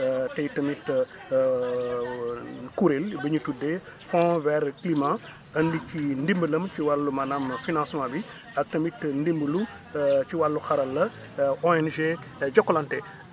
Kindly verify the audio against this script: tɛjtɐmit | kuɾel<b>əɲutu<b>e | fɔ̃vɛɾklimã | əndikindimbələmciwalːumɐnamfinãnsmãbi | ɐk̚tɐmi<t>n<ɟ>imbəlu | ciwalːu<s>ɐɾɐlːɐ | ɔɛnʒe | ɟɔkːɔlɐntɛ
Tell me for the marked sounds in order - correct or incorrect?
correct, incorrect: d, correct, incorrect: d, incorrect: x

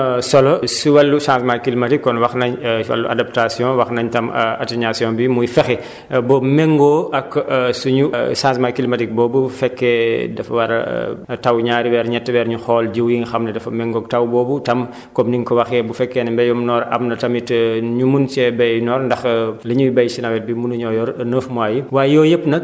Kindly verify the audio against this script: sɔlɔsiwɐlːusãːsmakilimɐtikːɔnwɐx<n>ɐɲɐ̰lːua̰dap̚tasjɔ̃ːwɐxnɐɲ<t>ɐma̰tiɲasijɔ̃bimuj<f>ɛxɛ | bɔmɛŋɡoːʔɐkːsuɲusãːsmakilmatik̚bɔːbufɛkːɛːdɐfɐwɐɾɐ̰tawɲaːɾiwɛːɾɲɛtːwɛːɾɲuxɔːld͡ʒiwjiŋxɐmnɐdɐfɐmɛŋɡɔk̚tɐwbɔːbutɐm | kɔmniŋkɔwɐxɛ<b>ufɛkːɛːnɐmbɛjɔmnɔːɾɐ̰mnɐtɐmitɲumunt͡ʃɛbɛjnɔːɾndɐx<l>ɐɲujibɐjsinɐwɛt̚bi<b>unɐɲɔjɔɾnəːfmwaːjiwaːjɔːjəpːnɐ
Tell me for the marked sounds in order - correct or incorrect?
correct, correct, correct, correct, correct, incorrect: m

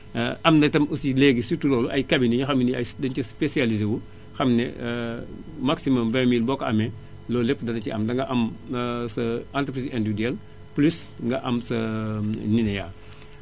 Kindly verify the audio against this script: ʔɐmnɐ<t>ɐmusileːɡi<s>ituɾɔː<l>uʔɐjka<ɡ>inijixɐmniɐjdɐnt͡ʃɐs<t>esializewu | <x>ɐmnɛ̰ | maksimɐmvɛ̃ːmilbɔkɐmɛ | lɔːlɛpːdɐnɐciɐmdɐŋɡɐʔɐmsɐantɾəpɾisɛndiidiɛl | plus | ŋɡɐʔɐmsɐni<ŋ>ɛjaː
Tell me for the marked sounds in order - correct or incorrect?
correct, correct, correct, incorrect: b, incorrect: p, correct, incorrect: n

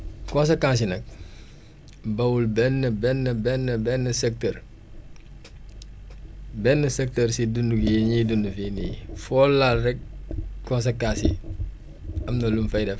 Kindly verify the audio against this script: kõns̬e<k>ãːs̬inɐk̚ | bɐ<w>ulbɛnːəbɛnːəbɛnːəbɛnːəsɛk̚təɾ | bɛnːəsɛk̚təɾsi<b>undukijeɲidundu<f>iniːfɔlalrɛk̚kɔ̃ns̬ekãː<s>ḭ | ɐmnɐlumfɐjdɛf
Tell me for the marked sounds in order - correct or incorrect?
correct, correct, incorrect: d, correct, correct

